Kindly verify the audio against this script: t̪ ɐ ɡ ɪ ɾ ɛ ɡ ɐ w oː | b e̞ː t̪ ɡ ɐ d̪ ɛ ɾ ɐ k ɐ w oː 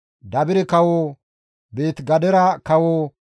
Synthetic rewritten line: d̪ ɐ b ɪ ɾ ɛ k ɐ w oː | b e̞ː t̪ ɡ ɐ d̪ ɛ ɾ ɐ k ɐ w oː